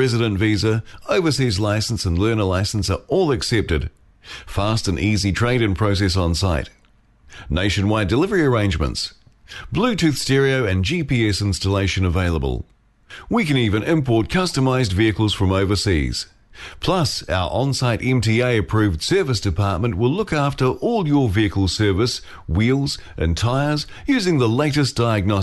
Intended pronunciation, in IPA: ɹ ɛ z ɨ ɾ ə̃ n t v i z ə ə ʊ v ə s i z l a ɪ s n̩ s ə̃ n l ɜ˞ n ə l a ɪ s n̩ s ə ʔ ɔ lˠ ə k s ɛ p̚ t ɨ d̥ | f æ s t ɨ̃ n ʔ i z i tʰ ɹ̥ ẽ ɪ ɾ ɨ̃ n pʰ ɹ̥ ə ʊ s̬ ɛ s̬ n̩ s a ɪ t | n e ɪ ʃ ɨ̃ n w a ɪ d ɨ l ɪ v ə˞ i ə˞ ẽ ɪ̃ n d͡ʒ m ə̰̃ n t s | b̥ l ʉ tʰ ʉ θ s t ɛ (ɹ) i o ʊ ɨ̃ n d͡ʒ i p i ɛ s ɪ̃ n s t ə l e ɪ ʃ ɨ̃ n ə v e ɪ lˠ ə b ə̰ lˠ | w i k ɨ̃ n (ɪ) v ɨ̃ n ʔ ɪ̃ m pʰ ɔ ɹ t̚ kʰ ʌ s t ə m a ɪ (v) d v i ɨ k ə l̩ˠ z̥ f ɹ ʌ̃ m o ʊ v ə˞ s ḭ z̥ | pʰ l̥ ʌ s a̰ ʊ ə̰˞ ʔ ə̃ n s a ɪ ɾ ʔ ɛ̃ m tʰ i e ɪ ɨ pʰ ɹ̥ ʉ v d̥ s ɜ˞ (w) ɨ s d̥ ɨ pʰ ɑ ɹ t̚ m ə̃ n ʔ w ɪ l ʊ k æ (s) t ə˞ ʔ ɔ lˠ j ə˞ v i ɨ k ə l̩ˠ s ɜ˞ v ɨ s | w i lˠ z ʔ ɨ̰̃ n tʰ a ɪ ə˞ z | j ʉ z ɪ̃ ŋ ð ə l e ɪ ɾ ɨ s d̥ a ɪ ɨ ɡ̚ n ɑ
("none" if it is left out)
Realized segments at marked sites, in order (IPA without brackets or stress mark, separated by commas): ɹ, i, z, v, f